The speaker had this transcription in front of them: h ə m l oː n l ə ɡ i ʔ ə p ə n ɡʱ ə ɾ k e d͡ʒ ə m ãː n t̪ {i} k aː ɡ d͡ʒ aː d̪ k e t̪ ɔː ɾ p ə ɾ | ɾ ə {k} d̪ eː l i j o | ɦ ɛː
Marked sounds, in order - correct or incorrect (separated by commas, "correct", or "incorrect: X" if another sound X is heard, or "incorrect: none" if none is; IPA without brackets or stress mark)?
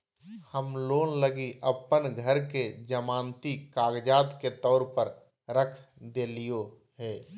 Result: correct, incorrect: kʰ